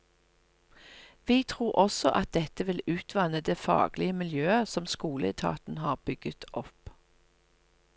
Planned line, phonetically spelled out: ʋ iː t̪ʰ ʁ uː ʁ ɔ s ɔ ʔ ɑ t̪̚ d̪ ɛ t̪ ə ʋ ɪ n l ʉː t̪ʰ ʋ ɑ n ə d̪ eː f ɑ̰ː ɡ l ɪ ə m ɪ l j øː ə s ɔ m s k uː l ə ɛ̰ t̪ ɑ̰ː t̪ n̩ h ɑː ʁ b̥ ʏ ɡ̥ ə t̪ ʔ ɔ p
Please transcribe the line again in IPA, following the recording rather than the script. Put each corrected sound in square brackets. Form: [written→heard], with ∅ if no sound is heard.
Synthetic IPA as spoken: ʋ iː t̪ʰ ʁ uː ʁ ɔ s ɔ ʔ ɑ t̪̚ d̪ ɛ t̪ ə ʋ ɪ [n→∅] l ʉː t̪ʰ ʋ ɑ n ə d̪ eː f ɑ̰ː ɡ l ɪ ə m ɪ l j øː ə s ɔ m s k uː l ə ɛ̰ [t̪→t̪ʰ] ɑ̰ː t̪ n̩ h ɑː ʁ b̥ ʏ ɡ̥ ə t̪ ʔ ɔ p